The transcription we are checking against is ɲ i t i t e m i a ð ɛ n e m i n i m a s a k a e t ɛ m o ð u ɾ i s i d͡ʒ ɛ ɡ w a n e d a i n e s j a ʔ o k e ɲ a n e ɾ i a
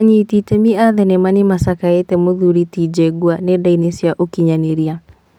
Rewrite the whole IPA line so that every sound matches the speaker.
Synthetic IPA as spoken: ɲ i t i t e m i a ð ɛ n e m a n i m a s a k a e t ɛ m o ð u ɾ i t i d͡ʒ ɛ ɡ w a n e d a i n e s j a ʔ o k i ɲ a n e ɾ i a